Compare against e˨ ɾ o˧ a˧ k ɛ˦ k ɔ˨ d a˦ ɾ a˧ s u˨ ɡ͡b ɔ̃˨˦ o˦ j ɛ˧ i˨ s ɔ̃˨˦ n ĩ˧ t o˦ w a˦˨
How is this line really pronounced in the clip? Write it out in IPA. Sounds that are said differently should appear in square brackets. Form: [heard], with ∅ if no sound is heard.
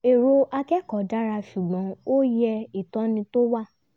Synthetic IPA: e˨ ɾ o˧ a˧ k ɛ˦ k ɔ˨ d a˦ ɾ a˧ [ʃ] u˨ ɡ͡b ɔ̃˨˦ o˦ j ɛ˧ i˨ [t] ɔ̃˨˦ n ĩ˧ t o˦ w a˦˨